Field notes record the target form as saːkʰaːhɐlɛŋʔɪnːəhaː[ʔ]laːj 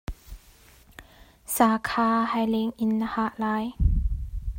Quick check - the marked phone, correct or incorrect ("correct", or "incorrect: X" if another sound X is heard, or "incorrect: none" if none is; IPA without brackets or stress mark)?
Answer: correct